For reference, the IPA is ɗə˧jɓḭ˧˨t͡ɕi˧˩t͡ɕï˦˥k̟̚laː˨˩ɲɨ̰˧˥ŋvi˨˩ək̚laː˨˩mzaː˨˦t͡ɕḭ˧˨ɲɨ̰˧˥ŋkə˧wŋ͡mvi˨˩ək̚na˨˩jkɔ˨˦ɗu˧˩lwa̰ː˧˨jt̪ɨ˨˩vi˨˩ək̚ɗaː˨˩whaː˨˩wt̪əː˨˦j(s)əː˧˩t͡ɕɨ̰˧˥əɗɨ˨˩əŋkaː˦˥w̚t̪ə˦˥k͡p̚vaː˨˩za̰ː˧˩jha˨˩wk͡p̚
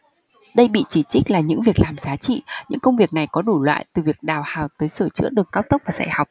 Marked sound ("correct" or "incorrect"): correct